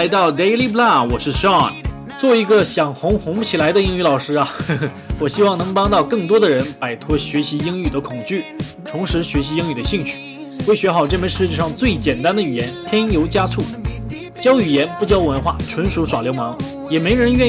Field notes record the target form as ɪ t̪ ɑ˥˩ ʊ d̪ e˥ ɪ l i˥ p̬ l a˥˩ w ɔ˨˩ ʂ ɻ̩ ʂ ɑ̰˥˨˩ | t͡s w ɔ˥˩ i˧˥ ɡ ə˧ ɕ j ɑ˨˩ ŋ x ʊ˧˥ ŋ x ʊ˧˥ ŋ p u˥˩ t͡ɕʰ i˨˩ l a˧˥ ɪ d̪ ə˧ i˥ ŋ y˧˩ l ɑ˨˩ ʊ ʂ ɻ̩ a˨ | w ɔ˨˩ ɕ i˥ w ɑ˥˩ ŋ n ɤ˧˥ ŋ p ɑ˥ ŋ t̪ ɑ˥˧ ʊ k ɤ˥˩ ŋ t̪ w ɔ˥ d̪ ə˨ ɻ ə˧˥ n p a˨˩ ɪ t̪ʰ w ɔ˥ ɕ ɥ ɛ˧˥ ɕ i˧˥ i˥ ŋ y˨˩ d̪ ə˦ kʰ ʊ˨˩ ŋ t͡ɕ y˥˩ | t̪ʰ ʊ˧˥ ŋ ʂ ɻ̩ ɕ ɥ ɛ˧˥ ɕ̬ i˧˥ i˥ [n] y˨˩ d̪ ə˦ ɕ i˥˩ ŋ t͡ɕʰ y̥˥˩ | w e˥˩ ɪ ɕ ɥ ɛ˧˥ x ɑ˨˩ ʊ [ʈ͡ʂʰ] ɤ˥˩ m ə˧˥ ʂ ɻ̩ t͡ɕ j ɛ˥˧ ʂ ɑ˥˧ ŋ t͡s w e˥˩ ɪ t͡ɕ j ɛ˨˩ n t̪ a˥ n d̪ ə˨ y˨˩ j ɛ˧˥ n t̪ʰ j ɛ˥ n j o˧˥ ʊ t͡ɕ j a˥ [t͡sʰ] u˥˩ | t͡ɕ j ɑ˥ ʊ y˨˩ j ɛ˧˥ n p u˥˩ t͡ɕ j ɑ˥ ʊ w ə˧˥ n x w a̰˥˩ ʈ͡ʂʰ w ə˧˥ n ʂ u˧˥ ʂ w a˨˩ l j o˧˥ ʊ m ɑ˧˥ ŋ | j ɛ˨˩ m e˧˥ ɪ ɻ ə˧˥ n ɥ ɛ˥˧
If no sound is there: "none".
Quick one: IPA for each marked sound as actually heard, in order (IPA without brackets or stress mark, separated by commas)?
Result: ŋ, ʈ͡ʂ, t͡sʰ